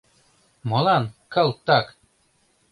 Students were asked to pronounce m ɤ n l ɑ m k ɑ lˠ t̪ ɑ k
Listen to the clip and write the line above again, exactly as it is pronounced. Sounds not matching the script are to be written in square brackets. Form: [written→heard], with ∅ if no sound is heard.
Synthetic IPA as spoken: m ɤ [n→∅] l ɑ [m→n] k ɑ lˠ t̪ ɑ k